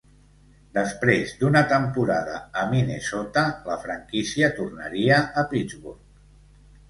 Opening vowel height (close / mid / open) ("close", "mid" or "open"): mid